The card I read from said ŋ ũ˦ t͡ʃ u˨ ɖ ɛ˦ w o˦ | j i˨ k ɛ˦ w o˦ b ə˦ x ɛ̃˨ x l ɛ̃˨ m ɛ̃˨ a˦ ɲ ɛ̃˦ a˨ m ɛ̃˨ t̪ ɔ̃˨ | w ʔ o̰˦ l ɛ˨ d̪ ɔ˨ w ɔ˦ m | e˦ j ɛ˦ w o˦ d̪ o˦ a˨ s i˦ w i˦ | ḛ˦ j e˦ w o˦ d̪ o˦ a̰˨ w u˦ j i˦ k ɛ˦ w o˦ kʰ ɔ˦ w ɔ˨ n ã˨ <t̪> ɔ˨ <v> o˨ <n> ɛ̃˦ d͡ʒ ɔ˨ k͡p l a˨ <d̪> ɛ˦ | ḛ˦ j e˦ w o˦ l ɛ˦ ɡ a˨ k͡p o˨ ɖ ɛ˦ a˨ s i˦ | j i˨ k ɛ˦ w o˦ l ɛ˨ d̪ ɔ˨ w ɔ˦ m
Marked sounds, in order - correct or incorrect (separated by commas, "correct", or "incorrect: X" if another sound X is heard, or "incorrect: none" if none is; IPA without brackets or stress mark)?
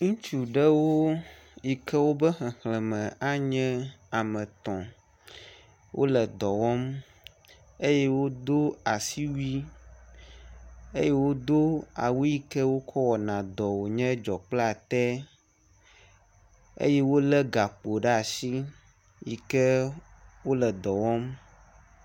incorrect: d̪, incorrect: w, incorrect: ɲ, incorrect: t̪